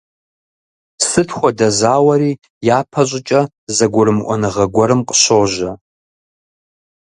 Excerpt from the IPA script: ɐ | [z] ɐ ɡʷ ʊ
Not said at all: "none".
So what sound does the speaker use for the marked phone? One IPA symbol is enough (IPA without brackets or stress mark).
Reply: z